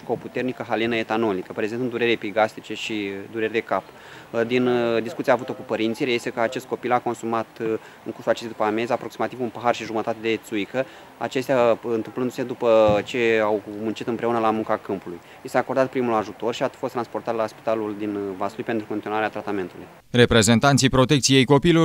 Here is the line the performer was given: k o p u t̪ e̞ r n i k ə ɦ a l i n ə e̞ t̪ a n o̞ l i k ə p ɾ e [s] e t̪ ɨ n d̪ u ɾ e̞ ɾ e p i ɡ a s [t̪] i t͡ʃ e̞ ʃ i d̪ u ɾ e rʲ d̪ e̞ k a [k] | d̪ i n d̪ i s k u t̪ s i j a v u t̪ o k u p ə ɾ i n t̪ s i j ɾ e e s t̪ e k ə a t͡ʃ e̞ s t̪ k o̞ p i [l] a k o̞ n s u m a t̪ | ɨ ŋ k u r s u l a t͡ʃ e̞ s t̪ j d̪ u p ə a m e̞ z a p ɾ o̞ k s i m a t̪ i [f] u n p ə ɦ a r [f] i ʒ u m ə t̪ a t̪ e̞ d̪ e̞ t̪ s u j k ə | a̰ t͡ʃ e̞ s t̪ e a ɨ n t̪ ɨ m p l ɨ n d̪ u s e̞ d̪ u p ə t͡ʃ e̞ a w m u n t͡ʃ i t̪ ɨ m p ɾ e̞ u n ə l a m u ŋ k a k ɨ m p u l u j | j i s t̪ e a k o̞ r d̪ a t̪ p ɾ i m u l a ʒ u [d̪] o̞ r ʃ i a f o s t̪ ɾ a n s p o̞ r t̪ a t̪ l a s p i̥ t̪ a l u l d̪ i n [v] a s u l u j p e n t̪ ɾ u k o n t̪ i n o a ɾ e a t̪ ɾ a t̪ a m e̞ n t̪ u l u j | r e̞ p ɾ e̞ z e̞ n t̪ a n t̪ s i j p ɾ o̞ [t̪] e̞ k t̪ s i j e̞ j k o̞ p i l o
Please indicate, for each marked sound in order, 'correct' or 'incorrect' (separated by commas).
incorrect, correct, incorrect, correct, incorrect, incorrect, incorrect, correct, correct